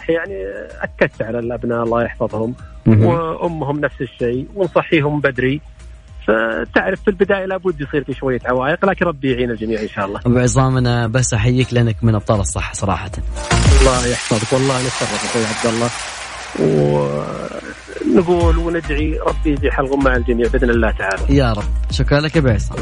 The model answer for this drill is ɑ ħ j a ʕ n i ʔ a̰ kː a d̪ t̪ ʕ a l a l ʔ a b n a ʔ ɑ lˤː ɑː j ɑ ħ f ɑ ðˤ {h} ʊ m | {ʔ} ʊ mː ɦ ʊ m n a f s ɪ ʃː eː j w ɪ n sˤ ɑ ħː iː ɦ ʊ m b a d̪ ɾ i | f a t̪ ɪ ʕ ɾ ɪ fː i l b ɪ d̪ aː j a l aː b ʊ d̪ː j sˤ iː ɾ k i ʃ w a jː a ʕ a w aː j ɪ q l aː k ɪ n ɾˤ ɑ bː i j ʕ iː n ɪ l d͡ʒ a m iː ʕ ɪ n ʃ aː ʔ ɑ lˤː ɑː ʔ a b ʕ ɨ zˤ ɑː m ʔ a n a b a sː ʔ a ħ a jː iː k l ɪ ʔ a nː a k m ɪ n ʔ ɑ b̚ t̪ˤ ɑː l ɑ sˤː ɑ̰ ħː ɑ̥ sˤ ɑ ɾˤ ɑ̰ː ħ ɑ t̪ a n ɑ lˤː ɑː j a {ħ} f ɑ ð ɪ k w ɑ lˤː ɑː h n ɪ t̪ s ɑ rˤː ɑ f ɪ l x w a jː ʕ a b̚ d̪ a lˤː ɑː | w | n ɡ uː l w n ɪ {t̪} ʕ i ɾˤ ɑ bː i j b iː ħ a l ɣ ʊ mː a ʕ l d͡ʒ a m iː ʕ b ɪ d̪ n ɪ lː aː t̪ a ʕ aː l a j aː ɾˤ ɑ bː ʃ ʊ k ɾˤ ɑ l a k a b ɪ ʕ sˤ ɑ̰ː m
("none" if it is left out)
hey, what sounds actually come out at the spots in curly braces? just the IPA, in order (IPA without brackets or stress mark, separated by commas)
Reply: h, ʔ, ħ, d̪